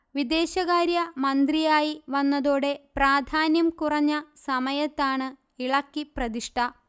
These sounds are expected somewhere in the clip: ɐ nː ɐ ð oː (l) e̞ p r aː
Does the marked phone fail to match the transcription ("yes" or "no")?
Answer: yes